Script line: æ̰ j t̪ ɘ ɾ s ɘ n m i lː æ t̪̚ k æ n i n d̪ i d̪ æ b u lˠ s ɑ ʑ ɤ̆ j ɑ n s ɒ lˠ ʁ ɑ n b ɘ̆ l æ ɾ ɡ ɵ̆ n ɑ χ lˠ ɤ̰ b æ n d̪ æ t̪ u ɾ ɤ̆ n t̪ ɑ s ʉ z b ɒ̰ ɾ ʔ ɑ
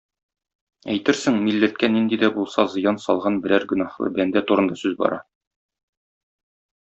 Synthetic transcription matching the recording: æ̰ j t̪ ɘ ɾ s ɘ ŋ m i lː æ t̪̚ k æ n i n d̪ i d̪ æ b u lˠ s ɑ z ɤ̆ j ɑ n s ɒ lˠ ʁ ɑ n b ɘ̆ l æ ɾ ɡ ɵ̆ n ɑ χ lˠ ɤ̰ b æ n d̪ æ t̪ u ɾ ɤ̆ n d̪ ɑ s ʉ z b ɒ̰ ɾ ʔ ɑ

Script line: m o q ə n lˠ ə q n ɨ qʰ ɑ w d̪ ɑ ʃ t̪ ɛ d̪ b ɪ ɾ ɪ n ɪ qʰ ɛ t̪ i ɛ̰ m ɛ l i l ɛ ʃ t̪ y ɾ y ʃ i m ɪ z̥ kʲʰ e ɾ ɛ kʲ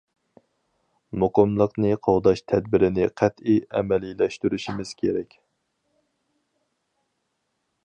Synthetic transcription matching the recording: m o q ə m lˠ ə q n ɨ qʰ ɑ w d̪ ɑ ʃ t̪ʰ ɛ d̪ b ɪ ɾ ɪ n ɪ qʰ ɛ t̪ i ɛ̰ m ɛ l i l ɛ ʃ t̪ y ɾ y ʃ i m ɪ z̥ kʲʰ e ɾ ɛ kʲ

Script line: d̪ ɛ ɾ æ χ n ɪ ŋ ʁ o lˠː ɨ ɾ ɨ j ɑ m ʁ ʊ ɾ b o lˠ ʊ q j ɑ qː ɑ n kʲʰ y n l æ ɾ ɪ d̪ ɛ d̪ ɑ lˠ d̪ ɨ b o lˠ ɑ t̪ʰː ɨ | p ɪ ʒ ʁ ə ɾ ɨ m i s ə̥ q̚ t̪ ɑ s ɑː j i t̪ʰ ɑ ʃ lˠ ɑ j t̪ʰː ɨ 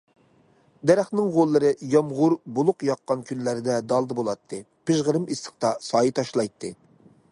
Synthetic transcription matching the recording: d̪ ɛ ɾ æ χ n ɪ ŋ ʁ o lˠː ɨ ɾ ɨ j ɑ m ʁ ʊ ɾ b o lˠ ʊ q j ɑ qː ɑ n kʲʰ y n l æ ɾ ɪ d̪ ɛ d̪ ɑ lˠ d̪ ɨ b o lˠ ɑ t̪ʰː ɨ | p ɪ ʒ ʁ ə ɾ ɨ m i s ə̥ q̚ t̪ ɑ s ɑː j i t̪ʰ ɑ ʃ lˠ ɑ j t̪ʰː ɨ

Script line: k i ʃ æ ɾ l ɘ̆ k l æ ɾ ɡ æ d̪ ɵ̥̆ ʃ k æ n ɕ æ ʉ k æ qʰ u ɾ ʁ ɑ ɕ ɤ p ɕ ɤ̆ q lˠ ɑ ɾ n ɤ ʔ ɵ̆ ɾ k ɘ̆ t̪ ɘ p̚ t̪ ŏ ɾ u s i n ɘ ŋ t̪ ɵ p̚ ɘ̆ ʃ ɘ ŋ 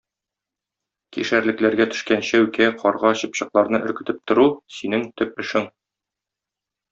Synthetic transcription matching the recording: k i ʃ æ ɾ l ɘ̆ k l æ ɾ ɡ æ t̪ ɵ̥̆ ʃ k æ n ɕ æ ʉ k æ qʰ ɒ ɾ ʁ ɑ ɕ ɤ p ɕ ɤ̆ q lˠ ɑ ɾ n ɤ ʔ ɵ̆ ɾ k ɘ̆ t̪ ɘ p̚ t̪ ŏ ɾ u s i n ɘ ŋ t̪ ɵ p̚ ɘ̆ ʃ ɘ ŋ

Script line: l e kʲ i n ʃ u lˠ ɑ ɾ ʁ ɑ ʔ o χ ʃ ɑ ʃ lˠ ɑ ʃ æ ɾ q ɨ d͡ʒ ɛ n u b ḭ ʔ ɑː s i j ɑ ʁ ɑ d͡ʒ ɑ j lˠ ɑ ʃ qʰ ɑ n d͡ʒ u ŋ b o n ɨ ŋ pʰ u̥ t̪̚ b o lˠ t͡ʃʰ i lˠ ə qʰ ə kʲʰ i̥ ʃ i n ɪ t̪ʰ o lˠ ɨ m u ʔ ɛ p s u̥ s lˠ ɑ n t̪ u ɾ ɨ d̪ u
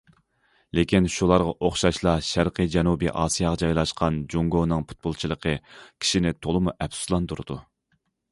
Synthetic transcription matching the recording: l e kʲ i n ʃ u lˠ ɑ ɾ ʁ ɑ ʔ o χ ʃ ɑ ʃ lˠ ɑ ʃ æ ɾ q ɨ d͡ʒ ɛ n u b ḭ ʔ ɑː s i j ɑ ʁ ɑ d͡ʒ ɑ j lˠ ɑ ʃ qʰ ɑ n d͡ʒ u ŋ ɡ o n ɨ ŋ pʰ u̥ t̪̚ b o lˠ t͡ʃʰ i lˠ ə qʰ ə kʲʰ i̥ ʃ i n ɪ t̪ʰ o lˠ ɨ m u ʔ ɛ p s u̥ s lˠ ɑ n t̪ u ɾ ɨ d̪ u

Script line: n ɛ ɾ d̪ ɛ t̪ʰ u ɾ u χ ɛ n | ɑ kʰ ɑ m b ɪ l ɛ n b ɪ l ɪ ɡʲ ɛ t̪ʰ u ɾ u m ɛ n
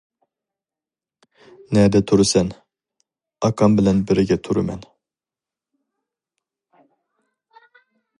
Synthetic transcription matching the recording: n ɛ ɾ d̪ ɛ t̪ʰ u ɾ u s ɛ n | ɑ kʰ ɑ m b ɪ l ɛ n b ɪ ɾ ɪ ɡʲ ɛ t̪ʰ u ɾ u m ɛ n

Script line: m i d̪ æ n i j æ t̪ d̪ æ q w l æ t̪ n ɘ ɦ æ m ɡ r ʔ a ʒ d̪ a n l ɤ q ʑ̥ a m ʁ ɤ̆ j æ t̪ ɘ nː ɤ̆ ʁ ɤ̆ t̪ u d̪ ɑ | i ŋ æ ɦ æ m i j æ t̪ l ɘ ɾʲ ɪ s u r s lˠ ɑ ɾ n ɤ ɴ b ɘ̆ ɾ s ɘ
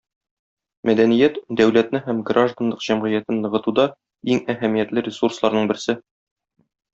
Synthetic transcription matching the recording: m æ d̪ æ n i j æ t̪ d̪ æ w l æ t̪ n ɘ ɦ æ m ɡ r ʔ a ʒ d̪ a n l ɤ q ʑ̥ æ m ʁ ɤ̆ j æ t̪ ɘ nː ɤ̆ ʁ ɤ̆ t̪ u d̪ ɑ | i ŋ æ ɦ æ m i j æ t̪ l ɘ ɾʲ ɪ s u r s lˠ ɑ ɾ n ɤ ɴ b ɘ̆ ɾ s ɘ

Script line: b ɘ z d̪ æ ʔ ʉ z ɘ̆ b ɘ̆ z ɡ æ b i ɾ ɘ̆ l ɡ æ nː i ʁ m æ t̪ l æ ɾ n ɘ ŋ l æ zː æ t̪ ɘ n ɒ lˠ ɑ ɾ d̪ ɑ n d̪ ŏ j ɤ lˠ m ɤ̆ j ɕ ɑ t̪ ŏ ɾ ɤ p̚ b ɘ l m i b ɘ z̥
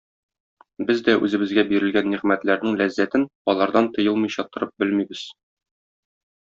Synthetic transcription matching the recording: b ɘ z d̪ æ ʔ ʉ z ɘ̆ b ɘ̆ z ɡ æ b i ɾ ɘ̆ l ɡ æ nː i ʁ m æ t̪ l æ ɾ n ɘ ŋ l æ zː æ t̪ ɘ n ɒ lˠ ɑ ɾ d̪ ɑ n t̪ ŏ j ɤ lˠ m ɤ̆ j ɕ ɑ t̪ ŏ ɾ ɤ p̚ b ɘ l m i b ɘ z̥

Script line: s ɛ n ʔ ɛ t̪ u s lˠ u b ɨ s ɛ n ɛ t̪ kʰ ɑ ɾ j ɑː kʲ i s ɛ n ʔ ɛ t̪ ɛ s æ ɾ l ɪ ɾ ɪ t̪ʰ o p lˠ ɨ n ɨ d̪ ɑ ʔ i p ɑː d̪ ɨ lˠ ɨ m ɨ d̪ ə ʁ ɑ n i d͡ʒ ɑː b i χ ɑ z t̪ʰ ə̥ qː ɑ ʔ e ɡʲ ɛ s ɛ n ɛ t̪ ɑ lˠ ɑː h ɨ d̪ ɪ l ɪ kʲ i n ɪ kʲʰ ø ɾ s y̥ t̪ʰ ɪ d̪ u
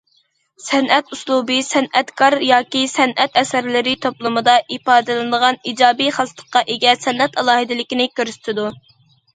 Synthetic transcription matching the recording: s ɛ n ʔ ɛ t̪ u s lˠ u b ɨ s ɛ n ɛ t̪ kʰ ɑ ɾ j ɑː kʲ i s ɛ n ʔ ɛ t̪ ɛ s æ ɾ l ɪ ɾ ɪ t̪ʰ o p lˠ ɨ m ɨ d̪ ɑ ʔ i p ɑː d̪ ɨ lˠ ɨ n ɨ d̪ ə ʁ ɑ n i d͡ʒ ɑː b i χ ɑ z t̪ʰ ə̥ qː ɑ ʔ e ɡʲ ɛ s ɛ n ɛ t̪ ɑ lˠ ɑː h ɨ d̪ ɪ l ɪ kʲ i n ɪ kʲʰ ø ɾ s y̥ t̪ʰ ɪ d̪ u

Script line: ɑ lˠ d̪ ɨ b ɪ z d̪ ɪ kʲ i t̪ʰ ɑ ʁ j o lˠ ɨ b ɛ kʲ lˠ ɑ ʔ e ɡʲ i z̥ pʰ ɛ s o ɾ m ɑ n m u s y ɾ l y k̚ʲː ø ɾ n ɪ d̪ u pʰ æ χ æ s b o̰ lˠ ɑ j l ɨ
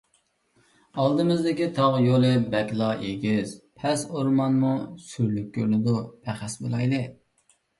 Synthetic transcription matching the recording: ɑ lˠ d̪ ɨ m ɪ z d̪ ɪ kʲ i t̪ʰ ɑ ʁ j o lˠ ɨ b ɛ kʲ lˠ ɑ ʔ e ɡʲ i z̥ pʰ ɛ s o ɾ m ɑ n m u s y ɾ l y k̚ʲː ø ɾ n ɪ d̪ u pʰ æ χ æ s b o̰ lˠ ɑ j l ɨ

